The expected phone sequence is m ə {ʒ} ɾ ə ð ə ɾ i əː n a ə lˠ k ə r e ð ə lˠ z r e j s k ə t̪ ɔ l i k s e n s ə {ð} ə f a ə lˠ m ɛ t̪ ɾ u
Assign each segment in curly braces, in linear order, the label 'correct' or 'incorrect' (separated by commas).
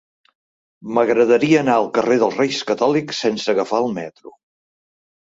incorrect, incorrect